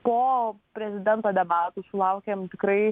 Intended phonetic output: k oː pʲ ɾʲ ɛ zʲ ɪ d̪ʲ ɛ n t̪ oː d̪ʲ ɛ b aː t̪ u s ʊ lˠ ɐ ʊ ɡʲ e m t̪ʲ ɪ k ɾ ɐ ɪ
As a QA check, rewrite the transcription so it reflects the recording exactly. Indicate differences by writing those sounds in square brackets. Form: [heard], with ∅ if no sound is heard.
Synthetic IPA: [p] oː pʲ ɾʲ ɛ zʲ ɪ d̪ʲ ɛ n t̪ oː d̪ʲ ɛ b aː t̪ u s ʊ lˠ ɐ ʊ [kʲ] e m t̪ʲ ɪ k ɾ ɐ ɪ